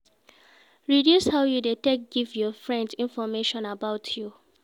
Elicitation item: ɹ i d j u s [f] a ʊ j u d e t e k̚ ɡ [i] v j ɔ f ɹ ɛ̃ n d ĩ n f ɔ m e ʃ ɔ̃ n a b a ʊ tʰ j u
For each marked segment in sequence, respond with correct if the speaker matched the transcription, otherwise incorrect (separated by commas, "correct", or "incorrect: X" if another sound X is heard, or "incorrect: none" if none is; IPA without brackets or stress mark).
incorrect: h, correct